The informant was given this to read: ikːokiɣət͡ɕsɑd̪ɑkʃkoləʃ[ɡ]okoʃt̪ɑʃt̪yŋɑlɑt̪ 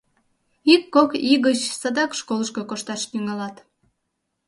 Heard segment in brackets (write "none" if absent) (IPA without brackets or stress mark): k